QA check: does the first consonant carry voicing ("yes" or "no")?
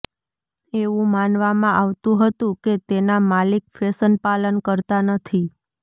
yes